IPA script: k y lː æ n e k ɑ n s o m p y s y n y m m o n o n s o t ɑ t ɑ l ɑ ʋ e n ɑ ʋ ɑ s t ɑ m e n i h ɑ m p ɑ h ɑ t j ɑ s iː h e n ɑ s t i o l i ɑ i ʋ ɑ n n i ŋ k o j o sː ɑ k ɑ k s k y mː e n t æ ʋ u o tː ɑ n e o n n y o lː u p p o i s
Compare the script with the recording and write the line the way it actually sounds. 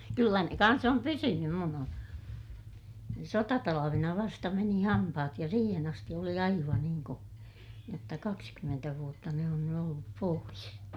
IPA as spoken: k y lː æ n e k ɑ n s o m p y s y n y m m u n o n s o t ɑ t ɑ l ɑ ʋ e n ɑ ʋ ɑ s t ɑ m e n i h ɑ m p ɑ h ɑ t j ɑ s iː h e n ɑ s t i o l i ɑ i ʋ ɑ n n iː ŋ k o j o tː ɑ k ɑ k s k y mː e n t æ ʋ u o tː ɑ n e o n n y o lː u p p o i s

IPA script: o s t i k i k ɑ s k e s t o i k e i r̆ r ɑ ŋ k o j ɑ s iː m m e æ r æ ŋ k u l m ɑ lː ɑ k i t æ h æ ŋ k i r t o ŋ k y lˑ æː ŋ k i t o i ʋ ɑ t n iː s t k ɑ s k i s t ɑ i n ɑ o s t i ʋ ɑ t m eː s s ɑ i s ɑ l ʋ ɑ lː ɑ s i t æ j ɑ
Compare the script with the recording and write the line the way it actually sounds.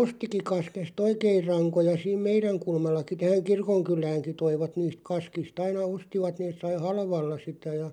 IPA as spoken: o s t i k i k ɑ s k e s t o i k e i r̆ r ɑ ŋ k o j ɑ s iː m m e i r æ ŋ k u l m ɑ lː ɑ k i t æ h æ ŋ k i r k o ŋ k y lˑ æː ŋ k i t o i ʋ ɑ t n iː s t k ɑ s k i s t ɑ i n ɑ o s t i ʋ ɑ t n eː s s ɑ i h ɑ l ʋ ɑ lː ɑ s i t æ j ɑ

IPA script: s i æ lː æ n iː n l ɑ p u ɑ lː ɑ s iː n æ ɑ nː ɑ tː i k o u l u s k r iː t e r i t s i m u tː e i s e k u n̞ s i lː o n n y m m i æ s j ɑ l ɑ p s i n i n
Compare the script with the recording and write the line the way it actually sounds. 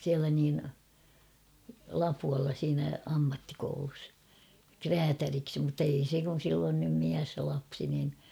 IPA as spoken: s i æ l æ n iː n l ɑ p u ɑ lː ɑ s iː n æ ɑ mː ɑ tː i k o u l u s k r æː t æ r i k s i m u tː e i s e k u n̞ s i lː o n n y m m i æ s j ɑ l ɑ p s i n i n

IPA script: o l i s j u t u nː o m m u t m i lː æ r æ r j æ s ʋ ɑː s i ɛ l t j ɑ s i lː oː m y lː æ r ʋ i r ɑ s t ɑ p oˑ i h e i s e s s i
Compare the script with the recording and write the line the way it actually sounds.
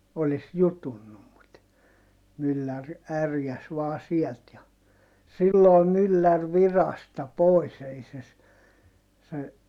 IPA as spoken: o l i s j u t u nː u m m u t m y lː æ r æ r j æ s ʋ ɑː s i ɛ l t j ɑ s i lː oː m y lː æ r ʋ i r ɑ s t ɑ p oˑ i s e i s e s s e

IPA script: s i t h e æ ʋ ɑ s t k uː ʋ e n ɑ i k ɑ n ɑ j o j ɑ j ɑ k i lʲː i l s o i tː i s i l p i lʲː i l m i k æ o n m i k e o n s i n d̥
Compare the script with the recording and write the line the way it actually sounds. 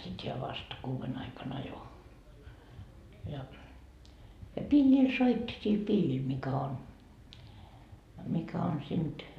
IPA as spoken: s i t h e æ ʋ ɑ s t k uː ʋ e n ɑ i k ɑ n ɑ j o j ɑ j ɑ p i lʲː i l s o i tː i s i l p i lʲː i l m i k æ o n m i k æ o n s i n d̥

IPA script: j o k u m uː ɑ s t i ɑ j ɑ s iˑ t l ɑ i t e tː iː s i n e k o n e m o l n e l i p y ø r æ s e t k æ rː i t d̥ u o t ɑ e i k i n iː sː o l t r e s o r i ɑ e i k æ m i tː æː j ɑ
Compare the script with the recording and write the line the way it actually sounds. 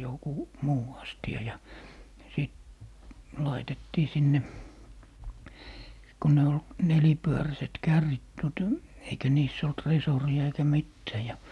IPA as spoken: j o k u m uː ɑ s t i ɑ j ɑ s iˑ t l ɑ i t e tː iː s i nː e k o n e o l n e l i p y ø r æ s e t k æ rː i t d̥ u o t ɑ e i k æ n iː sː o l t r e s o r i ɑ e i k æ m i tː æː j ɑ

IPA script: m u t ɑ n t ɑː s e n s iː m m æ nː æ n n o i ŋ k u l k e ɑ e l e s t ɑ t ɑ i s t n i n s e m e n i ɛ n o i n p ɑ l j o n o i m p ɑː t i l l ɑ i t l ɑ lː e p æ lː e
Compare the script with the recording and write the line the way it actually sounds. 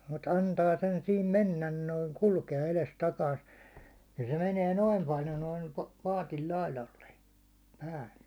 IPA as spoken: m u t ɑ n t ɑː s e n s iː m m e nː æ n n o i ŋ k u l k e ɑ e l e s t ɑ k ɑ i s t n i n s e m e n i ɛ n o i m p ɑ l j o n o i m p ɑː t i l l ɑ i l ɑ lː e p æː lː e

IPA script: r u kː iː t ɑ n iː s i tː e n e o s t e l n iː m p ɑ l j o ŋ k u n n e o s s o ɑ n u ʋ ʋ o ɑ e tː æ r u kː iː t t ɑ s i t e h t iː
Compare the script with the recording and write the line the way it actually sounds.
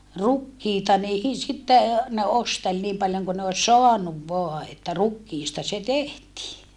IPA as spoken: r u kː iː t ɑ n iː s i tː e n e o s t e l n iː m p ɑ l j o ŋ k u n n e o s s o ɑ n u ʋ ʋ o ɑ e tː æ r u kː iː s t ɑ s e t e h t iː

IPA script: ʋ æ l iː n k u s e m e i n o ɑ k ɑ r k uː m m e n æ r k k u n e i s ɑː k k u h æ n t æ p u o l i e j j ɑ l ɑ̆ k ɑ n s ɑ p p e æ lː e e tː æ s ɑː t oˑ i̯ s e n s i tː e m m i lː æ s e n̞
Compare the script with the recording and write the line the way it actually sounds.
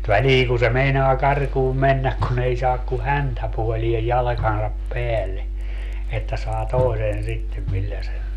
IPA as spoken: ʋ æ l iː ŋ k u s e m e i n o ɑ k ɑ r k uː m m e nː æ k k u n e i s ɑː k k u h æ n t æ p u o l i e j j ɑ l ɑ̆ k ɑ n s ɑ p p e æ lː e e tː æ s ɑː t oˑ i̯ s e n s i tː e m m i lː æ s e n̞

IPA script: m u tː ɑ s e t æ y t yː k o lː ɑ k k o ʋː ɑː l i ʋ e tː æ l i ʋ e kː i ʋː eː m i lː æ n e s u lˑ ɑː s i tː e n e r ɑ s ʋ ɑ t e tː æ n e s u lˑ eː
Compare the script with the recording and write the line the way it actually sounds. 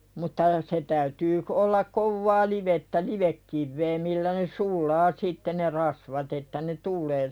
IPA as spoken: m u tː ɑ s e t æ y t yː k o lː ɑ k k o ʋː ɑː l i ʋ e tː æ l i ʋ e kː i ʋː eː m i lː æ n e s u lˑ ɑː s i tː e n e r ɑ s ʋ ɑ t e tː æ n e t u lˑ eː

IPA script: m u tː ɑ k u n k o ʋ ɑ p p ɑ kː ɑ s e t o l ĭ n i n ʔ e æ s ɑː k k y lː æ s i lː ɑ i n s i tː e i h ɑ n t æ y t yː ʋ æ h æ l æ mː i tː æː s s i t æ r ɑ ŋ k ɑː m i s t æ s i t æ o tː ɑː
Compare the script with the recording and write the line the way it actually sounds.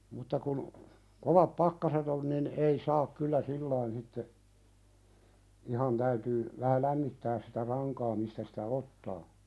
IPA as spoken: m u tː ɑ k u n k o ʋ ɑ p p ɑ kː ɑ s e t o l ĭ n i n ʔ e i s ɑː k k y lː æ s i lː ɑ i n s i tː e i h ɑ n t æ y t yː ʋ æ h æ l æ mː i tː æː s s i t æ r ɑ ŋ k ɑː m i s t æ s i t æ o tː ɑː

